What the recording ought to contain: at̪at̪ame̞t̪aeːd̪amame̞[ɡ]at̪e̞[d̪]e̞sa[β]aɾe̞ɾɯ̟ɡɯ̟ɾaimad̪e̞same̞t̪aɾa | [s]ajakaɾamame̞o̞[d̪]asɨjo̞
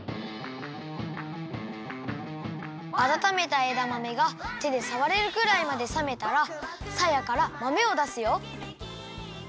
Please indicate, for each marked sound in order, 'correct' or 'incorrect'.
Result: correct, correct, correct, correct, correct

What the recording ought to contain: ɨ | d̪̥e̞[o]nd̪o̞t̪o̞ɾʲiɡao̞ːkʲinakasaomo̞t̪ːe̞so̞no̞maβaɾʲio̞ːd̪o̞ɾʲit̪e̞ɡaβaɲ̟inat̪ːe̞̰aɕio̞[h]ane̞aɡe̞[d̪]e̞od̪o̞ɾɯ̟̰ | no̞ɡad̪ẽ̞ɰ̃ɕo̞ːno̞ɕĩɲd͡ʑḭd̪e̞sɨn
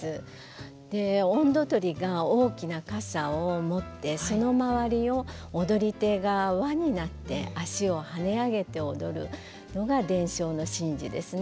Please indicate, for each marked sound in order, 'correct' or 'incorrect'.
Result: incorrect: õ, correct, incorrect: t̪

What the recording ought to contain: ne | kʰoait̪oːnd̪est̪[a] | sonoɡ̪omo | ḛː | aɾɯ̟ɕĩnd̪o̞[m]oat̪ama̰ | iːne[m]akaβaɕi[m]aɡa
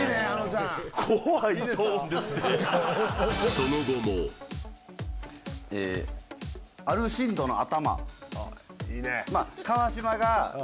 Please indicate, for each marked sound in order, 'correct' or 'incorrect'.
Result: incorrect: e, incorrect: n, correct, correct

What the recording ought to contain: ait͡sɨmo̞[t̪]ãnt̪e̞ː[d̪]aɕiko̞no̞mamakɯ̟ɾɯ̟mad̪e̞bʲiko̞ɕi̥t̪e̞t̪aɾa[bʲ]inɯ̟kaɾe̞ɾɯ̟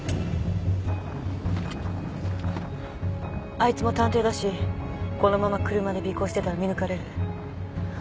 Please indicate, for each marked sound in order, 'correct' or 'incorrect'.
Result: correct, correct, incorrect: mʲ

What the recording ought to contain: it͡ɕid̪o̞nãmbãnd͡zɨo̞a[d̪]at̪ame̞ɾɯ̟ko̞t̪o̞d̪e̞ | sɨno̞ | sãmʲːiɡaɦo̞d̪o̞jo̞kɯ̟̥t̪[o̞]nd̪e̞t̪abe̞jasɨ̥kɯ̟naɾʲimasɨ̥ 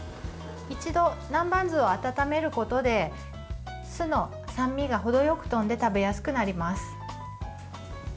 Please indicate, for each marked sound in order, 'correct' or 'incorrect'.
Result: incorrect: t̪, incorrect: õ̞

